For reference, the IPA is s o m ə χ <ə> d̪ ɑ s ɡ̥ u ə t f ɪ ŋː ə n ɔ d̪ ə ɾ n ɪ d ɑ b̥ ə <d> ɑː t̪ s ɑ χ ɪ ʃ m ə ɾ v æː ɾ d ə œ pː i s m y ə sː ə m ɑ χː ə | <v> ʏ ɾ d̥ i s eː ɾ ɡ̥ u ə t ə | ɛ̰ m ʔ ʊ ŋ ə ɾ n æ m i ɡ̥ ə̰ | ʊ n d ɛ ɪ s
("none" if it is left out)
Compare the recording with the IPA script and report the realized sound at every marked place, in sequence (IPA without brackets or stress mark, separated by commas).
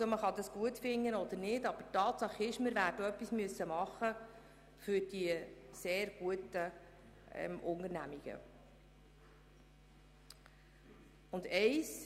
ɑ, t, f